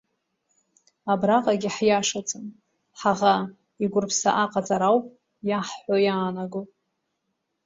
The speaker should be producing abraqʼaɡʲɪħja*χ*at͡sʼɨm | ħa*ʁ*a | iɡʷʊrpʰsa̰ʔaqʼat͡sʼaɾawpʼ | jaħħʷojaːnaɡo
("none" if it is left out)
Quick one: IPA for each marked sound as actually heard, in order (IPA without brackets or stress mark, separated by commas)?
ʂ, ʁ